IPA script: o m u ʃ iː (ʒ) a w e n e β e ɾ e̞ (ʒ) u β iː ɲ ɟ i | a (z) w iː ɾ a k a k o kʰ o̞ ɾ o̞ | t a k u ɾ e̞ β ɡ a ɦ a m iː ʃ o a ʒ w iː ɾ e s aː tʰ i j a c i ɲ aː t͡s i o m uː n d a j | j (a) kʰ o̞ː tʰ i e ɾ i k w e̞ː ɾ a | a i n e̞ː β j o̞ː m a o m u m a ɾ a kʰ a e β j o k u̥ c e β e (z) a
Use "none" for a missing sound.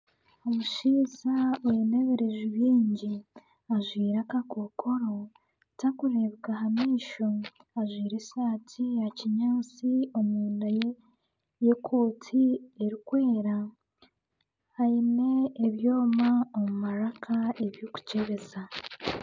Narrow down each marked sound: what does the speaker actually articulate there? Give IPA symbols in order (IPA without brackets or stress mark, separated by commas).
z, ʒ, ʒ, e, z